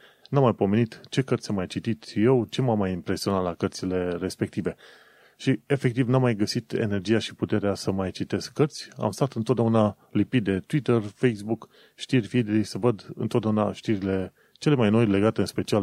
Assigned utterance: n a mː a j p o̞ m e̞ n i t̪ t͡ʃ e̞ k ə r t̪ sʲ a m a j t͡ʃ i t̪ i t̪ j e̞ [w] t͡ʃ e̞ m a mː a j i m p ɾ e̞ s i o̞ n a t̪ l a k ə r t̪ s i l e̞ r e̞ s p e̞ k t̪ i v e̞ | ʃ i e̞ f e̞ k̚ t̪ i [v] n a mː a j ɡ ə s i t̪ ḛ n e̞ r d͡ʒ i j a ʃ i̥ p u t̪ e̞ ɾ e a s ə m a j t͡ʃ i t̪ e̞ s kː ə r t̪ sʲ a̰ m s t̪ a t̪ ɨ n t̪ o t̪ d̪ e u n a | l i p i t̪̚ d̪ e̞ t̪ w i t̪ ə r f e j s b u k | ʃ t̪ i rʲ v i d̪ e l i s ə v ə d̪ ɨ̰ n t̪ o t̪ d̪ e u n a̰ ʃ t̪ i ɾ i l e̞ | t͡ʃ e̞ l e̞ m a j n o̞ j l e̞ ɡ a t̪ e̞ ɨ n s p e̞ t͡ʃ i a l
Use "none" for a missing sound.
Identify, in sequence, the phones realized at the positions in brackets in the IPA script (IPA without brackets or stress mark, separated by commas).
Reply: w, v